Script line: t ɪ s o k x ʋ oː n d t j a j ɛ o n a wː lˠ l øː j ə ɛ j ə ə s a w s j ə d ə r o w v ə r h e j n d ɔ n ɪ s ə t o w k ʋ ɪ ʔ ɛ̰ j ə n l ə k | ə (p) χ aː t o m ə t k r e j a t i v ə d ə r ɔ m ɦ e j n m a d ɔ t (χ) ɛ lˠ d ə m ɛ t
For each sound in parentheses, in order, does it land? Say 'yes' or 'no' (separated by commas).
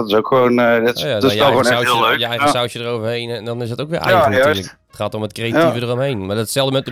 no, no